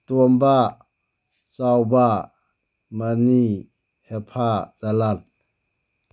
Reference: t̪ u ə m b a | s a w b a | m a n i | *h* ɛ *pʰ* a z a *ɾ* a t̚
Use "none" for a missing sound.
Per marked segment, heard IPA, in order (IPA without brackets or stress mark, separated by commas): h, pʰ, l